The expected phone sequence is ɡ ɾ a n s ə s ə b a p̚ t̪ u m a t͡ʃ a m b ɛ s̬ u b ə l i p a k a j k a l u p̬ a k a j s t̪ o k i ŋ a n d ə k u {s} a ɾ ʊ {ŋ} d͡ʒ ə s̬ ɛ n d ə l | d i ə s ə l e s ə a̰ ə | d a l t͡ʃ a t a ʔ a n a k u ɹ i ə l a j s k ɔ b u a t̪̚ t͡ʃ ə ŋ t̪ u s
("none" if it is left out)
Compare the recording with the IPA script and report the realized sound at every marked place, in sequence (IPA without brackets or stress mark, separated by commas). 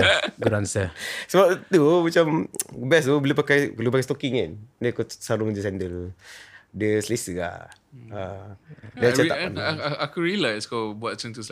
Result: s, ŋ